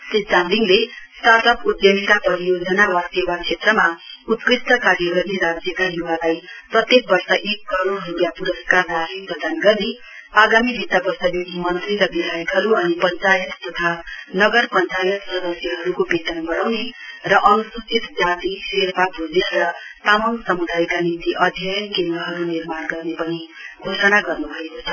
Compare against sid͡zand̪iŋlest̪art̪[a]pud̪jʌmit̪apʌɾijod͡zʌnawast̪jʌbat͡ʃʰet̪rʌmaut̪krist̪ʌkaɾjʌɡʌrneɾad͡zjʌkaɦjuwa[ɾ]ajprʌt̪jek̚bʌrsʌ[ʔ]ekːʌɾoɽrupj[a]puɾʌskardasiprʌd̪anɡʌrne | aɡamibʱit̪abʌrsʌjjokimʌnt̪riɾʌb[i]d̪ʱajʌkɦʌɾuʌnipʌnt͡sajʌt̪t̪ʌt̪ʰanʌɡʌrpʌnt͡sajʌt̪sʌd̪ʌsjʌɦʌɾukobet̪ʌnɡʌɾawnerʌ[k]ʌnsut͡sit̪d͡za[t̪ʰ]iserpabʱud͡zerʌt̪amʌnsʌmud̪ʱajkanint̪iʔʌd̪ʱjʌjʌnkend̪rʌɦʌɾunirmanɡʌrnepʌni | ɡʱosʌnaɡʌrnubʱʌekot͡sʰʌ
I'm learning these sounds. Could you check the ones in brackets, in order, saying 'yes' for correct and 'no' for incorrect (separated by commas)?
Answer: no, no, yes, yes, yes, no, no